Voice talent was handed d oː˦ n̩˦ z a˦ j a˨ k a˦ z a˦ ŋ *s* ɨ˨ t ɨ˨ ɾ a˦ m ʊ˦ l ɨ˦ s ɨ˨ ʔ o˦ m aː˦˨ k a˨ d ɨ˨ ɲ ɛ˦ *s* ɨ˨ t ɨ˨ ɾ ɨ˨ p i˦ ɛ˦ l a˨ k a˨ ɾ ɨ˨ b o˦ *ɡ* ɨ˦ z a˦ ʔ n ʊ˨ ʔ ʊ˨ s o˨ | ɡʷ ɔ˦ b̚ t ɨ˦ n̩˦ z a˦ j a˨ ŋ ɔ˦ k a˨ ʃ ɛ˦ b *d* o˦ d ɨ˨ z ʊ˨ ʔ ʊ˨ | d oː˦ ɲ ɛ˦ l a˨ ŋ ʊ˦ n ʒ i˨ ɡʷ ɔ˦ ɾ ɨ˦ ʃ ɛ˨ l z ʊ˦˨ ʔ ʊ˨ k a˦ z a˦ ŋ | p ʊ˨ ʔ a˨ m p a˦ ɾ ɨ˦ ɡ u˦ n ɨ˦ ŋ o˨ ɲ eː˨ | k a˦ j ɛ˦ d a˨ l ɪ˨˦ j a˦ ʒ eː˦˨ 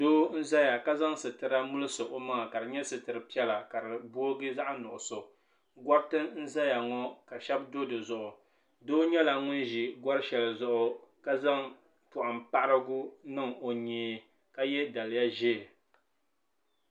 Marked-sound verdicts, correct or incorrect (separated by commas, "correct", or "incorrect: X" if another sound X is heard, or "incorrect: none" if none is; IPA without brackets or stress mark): correct, correct, correct, correct